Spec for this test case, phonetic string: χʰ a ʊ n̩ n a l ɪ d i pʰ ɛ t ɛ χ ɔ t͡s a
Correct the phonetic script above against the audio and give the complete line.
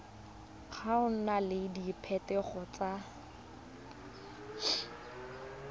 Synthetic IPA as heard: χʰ a ʊ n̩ n a l ɪ d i pʰ ɛ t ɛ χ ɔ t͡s a